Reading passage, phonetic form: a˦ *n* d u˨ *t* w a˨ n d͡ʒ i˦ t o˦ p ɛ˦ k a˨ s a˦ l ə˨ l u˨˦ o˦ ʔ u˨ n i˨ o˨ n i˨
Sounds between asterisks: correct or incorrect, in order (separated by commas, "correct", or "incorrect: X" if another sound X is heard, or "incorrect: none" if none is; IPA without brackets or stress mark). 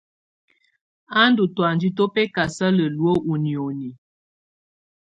correct, correct